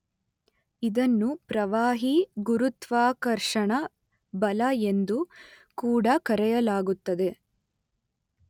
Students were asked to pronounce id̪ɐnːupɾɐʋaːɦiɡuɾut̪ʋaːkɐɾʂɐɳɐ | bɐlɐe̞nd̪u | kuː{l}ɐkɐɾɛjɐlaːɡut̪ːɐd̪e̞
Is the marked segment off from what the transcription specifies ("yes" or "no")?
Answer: yes